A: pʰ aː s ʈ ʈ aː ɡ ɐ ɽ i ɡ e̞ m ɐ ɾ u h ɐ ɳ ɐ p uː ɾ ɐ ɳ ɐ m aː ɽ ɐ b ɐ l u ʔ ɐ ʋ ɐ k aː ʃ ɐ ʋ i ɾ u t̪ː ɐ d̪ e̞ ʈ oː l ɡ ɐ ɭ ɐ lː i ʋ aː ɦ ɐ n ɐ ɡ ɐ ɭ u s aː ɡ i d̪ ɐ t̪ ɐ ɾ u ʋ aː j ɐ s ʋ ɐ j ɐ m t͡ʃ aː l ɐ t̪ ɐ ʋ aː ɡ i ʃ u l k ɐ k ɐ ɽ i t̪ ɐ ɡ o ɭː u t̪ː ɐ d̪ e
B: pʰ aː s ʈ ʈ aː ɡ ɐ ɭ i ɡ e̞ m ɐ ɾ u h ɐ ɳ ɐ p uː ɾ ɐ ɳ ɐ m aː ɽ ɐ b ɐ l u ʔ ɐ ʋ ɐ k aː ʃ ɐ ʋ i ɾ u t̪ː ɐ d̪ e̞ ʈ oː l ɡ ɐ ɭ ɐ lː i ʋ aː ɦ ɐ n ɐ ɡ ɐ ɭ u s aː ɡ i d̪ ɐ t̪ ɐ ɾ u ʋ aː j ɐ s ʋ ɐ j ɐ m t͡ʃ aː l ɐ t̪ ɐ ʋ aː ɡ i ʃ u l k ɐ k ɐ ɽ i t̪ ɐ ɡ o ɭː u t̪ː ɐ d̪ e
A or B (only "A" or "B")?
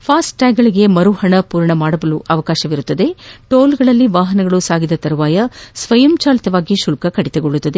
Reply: B